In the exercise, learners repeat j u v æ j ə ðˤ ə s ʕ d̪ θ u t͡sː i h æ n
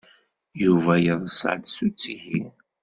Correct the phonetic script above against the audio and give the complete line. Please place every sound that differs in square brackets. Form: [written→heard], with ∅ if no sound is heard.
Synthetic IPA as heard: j u v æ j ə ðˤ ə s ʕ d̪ [θ→s] u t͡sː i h [æ→i] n